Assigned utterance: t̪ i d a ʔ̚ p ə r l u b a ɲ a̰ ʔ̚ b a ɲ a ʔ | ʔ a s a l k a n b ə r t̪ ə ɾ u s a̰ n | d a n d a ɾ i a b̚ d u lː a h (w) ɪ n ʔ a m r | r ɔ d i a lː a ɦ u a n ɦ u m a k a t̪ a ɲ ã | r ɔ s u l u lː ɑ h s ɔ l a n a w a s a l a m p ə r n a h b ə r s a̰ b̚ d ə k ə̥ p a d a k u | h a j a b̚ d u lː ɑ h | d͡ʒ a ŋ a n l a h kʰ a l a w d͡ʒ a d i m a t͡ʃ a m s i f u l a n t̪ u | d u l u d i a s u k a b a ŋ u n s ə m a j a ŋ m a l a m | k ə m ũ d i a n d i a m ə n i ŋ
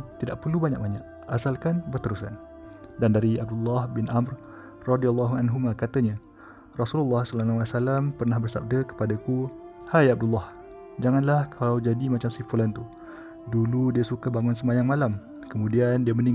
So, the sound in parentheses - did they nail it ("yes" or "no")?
no